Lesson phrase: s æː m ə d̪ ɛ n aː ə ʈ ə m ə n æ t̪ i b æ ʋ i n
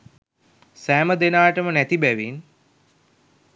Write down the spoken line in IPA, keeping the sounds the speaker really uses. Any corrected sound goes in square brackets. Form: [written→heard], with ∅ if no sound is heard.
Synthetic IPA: s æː m ə d̪ [ɛ→e] n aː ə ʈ ə m ə n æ t̪ i b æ ʋ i n